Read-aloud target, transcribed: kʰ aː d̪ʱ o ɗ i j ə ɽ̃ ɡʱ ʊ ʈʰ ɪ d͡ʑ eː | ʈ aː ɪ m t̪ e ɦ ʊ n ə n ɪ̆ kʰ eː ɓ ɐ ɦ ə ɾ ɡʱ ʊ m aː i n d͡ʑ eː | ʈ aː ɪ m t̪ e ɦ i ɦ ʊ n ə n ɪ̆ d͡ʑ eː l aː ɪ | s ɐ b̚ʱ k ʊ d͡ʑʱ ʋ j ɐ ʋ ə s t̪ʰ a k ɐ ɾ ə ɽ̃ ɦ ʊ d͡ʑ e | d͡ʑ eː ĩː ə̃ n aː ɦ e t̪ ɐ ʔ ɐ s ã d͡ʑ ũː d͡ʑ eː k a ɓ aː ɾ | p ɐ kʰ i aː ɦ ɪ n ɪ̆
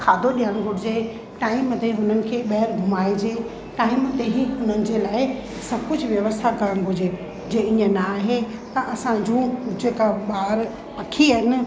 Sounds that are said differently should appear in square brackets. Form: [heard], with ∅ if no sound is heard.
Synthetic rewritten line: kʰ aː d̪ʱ o ɗ i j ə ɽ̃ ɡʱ ʊ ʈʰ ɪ d͡ʑ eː | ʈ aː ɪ m t̪ e ɦ ʊ n ə n ɪ̆ kʰ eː ɓ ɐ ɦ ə ɾ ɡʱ ʊ m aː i [∅] d͡ʑ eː | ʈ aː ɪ m t̪ e ɦ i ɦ ʊ n ə n ɪ̆ d͡ʑ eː l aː ɪ | s ɐ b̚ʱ k ʊ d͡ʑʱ ʋ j ɐ ʋ ə s t̪ʰ a k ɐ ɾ ə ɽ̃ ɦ ʊ d͡ʑ e | d͡ʑ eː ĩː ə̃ n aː ɦ e t̪ ɐ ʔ ɐ s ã d͡ʑ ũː d͡ʑ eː k a ɓ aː ɾ | p ɐ kʰ i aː ɦ ɪ n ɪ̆

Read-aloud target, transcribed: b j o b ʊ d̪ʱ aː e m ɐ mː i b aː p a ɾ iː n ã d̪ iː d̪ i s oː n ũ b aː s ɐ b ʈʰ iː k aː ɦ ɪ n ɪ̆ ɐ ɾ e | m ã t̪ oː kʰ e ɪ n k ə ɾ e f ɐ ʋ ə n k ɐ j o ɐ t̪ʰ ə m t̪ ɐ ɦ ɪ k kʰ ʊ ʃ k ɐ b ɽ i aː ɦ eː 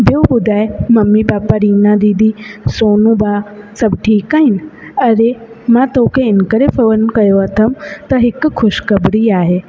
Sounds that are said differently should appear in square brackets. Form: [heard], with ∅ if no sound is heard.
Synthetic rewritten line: b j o b ʊ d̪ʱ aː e m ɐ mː i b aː p a ɾ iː n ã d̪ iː d̪ i s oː n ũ b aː s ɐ b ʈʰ iː k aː ɦ ɪ n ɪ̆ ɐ ɾ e | m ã t̪ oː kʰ e ɪ n k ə ɾ e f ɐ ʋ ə n k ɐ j o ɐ t̪ʰ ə m t̪ ɐ ɦ ɪ k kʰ ʊ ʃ k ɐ b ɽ i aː ɦ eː

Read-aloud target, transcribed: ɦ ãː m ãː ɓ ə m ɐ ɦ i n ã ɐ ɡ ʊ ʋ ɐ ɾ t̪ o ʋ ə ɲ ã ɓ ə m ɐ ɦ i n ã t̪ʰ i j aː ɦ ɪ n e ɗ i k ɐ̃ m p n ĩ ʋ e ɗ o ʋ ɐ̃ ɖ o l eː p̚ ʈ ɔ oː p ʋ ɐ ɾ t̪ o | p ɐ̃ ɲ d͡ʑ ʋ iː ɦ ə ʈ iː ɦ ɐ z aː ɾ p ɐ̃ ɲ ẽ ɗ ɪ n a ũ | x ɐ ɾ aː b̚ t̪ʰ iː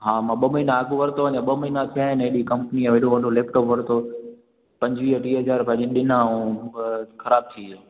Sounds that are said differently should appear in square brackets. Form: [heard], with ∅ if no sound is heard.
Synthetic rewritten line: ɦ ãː m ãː ɓ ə m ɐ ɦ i n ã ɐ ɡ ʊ ʋ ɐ ɾ t̪ o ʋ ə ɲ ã ɓ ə m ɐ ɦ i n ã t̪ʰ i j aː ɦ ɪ n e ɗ i k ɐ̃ m p n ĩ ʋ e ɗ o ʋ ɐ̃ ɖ o l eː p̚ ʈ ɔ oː p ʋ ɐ ɾ t̪ o | p ɐ̃ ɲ d͡ʑ ʋ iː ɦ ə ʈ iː ɦ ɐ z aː ɾ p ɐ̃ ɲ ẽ ɗ ɪ n a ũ | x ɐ ɾ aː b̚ t̪ʰ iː

